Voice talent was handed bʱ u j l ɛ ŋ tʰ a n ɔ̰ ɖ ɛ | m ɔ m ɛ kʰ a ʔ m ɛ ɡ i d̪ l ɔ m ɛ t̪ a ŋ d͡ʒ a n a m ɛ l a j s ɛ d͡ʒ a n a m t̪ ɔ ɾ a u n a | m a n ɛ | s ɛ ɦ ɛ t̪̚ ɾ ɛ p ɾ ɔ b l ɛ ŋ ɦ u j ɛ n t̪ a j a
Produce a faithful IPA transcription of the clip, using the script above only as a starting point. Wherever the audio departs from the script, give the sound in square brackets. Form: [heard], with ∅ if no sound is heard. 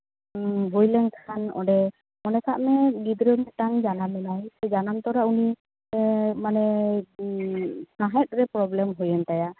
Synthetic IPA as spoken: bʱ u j l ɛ ŋ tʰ a n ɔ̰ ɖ ɛ | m ɔ [n] ɛ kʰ a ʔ m ɛ ɡ i d̪ [ɾ] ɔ m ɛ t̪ a ŋ d͡ʒ a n a m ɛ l a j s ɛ d͡ʒ a n a m t̪ ɔ ɾ a u n [i] | m a n ɛ | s [a] ɦ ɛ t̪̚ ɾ ɛ p ɾ ɔ b l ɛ [m] ɦ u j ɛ n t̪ a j a

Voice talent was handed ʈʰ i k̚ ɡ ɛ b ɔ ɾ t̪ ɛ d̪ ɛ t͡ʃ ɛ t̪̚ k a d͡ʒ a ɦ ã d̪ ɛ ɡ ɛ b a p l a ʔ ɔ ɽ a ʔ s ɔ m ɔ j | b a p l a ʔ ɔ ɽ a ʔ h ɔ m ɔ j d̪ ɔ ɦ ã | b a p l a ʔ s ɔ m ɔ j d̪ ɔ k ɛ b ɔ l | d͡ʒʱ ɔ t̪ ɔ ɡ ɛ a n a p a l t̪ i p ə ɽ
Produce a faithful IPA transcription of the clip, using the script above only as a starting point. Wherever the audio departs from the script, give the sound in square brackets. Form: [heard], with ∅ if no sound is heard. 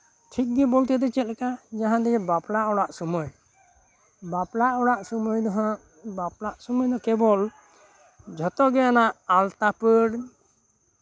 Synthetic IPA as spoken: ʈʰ i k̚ ɡ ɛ b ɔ [l] t̪ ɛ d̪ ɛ t͡ʃ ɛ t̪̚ k a d͡ʒ a ɦ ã d̪ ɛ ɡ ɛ b a p l a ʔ ɔ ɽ a ʔ s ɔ m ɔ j | b a p l a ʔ ɔ ɽ a ʔ [s] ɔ m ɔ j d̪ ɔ ɦ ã | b a p l a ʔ s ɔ m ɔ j d̪ ɔ k ɛ b ɔ l | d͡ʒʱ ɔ t̪ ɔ ɡ ɛ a n a [ʔ] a l t̪ [a] p ə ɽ

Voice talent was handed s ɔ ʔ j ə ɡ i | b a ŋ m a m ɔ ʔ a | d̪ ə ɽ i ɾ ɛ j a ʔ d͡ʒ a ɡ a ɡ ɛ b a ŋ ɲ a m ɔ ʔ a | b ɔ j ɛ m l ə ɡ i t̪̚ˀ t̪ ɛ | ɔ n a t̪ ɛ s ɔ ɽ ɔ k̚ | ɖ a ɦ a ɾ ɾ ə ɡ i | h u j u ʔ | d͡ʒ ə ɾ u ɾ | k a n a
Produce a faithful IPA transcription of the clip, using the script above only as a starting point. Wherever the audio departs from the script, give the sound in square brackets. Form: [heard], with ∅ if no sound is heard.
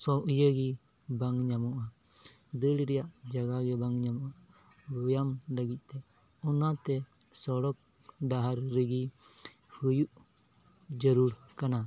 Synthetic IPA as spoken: s ɔ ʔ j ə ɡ i | b a ŋ [ɲ] a m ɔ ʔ a | d̪ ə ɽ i ɾ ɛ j a ʔ d͡ʒ a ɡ a ɡ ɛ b a ŋ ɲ a m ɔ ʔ a | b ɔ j [a] m l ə ɡ i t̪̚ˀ t̪ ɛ | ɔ n a t̪ ɛ s ɔ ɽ ɔ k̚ | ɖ a ɦ a ɾ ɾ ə ɡ i | h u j u ʔ | d͡ʒ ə ɾ u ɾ | k a n a

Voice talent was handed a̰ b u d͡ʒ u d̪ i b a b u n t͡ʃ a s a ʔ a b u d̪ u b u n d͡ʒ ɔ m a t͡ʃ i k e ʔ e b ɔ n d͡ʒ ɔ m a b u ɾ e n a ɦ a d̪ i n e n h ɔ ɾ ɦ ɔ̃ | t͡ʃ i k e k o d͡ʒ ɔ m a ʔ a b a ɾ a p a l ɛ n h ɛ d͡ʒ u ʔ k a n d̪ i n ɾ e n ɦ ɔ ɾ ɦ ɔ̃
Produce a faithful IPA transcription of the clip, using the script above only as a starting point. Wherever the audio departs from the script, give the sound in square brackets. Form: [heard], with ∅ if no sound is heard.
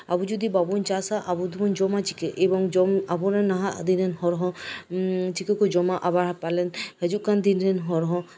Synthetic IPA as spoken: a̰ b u d͡ʒ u d̪ i b a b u n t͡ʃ a s a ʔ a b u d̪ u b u n d͡ʒ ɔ m a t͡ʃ i k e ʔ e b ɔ [ŋ] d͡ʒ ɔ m a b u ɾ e n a ɦ a d̪ i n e n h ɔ ɾ ɦ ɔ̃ | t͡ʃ i k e k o d͡ʒ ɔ m a ʔ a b a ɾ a p a l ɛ n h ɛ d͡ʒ u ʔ k a n d̪ i n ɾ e n ɦ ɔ ɾ ɦ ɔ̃

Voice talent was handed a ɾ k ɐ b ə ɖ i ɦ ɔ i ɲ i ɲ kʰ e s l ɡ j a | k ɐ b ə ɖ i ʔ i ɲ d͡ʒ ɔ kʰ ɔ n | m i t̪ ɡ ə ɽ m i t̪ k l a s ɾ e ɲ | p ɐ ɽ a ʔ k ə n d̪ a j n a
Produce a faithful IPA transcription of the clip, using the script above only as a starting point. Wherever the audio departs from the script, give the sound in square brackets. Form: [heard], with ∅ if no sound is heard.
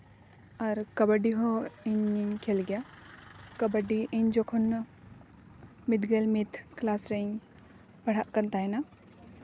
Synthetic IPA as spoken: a ɾ k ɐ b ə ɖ i ɦ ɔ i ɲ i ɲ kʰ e [∅] l ɡ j a | k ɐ b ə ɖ i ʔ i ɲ d͡ʒ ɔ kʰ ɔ n | m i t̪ ɡ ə [l] m i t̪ k l a s ɾ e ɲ | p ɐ ɽ a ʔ k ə n [t̪] a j n a

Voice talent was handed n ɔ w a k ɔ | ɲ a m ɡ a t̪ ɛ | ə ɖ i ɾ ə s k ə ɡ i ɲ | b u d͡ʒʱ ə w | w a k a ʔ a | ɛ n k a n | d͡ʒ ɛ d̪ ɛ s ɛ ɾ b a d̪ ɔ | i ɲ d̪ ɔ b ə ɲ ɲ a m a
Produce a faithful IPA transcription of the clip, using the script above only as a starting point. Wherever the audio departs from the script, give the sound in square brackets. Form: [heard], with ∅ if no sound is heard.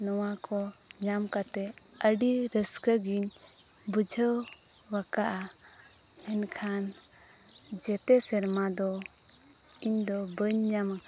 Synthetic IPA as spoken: n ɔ w a k ɔ | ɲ a m [k] a t̪ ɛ | ə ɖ i ɾ ə s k ə ɡ i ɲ | b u d͡ʒʱ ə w | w a k a ʔ a | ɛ n [kʰ] a n | d͡ʒ ɛ [t̪] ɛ s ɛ ɾ [m] a d̪ ɔ | i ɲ d̪ ɔ b ə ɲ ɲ a m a

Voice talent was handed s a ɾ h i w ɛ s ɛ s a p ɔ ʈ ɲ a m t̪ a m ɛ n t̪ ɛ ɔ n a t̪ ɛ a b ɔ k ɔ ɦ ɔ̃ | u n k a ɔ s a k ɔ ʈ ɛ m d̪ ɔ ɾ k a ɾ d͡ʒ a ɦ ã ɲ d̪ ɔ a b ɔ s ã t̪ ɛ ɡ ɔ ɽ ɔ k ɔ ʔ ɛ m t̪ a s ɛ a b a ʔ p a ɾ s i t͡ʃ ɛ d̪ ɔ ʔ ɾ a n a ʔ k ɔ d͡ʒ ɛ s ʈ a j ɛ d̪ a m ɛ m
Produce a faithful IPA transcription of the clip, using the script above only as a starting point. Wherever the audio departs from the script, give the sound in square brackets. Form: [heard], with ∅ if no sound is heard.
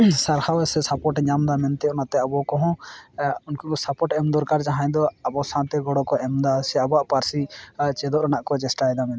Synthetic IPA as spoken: s a ɾ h [a] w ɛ s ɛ s a p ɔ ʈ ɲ a m [d̪] a m ɛ n t̪ ɛ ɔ n a t̪ ɛ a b ɔ k ɔ ɦ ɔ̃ | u n k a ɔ s a [p] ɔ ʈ ɛ m d̪ ɔ ɾ k a ɾ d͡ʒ a ɦ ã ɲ d̪ ɔ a b ɔ s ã t̪ ɛ ɡ ɔ ɽ ɔ k ɔ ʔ ɛ m [d̪] a s ɛ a b a ʔ p a ɾ s i t͡ʃ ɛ d̪ ɔ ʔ ɾ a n a ʔ k ɔ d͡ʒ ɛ s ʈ a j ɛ d̪ a m ɛ [n]

